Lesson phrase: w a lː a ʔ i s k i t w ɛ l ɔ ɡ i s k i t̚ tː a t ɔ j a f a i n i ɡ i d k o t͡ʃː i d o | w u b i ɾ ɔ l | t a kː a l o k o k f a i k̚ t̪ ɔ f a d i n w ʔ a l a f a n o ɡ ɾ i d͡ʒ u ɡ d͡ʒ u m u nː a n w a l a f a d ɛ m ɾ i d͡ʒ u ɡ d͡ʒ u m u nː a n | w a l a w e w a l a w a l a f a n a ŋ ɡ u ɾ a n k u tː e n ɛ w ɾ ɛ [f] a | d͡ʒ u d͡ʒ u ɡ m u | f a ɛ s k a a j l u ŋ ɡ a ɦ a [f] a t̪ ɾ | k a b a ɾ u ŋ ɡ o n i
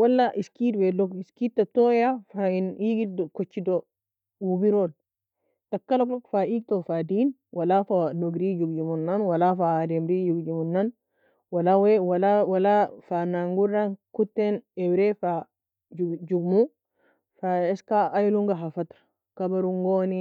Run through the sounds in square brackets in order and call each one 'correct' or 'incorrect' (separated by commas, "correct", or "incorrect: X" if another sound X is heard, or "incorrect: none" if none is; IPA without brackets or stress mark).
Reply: correct, correct